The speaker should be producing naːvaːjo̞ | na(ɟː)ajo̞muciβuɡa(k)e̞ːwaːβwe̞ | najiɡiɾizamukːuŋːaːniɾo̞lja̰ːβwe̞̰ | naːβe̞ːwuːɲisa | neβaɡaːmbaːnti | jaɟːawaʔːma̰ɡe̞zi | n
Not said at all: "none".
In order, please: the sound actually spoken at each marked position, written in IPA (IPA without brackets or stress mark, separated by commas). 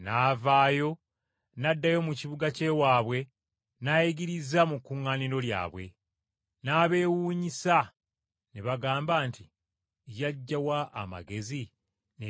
dː, c